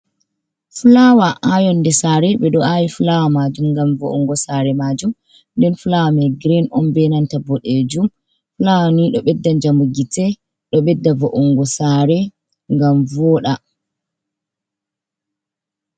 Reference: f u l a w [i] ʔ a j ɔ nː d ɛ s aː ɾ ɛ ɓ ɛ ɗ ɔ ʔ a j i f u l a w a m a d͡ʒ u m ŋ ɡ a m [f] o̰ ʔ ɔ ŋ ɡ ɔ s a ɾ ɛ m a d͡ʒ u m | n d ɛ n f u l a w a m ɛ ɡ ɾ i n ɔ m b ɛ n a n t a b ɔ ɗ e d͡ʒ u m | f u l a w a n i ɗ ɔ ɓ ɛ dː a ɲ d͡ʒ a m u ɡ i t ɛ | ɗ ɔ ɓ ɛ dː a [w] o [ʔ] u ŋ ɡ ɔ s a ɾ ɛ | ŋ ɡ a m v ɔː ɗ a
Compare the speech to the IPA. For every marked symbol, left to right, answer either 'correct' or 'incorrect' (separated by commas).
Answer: incorrect, incorrect, incorrect, correct